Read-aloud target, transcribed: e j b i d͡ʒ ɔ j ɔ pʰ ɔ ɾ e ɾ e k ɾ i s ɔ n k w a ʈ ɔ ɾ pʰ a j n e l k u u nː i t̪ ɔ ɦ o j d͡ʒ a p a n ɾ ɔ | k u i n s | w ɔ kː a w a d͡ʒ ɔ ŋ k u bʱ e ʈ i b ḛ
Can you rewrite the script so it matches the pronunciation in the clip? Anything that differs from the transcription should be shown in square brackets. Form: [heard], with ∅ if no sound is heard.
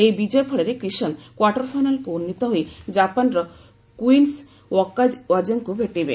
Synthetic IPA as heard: e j b i d͡ʒ ɔ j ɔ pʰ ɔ [ɭ] e ɾ e k ɾ i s ɔ n k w a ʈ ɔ ɾ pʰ a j n [a] l k u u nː i t̪ ɔ ɦ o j d͡ʒ a p a n ɾ ɔ | k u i n s | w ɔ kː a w a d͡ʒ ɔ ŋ k u bʱ e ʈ i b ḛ